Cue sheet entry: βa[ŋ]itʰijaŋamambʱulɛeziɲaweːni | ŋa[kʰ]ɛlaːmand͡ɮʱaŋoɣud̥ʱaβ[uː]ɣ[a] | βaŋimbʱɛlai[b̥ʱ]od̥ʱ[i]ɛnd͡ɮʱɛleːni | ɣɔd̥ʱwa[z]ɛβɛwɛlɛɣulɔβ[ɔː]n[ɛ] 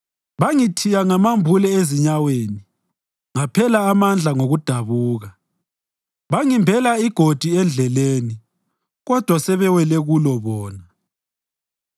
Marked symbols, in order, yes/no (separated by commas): yes, no, yes, yes, no, yes, no, yes, no